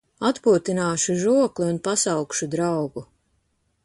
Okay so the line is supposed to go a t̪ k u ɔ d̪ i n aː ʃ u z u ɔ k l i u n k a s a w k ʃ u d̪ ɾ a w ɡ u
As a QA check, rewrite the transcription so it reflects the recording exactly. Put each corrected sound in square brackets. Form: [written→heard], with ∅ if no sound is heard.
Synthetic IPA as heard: a t̪ [k→p] u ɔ [d̪→t̪] i n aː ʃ u [z→ʒ] u ɔ k l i u n [k→p] a s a w k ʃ u d̪ ɾ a w ɡ u